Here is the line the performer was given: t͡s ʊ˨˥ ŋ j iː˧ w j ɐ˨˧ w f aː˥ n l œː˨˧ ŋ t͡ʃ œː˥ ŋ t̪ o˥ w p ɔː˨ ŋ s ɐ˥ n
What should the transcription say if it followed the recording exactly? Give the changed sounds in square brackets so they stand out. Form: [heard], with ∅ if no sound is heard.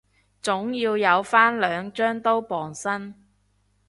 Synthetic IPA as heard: t͡s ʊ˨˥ ŋ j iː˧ w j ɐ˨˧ w f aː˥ n l œː˨˧ ŋ t͡ʃ œː˥ ŋ t̪ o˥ w p ɔː˨ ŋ s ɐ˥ n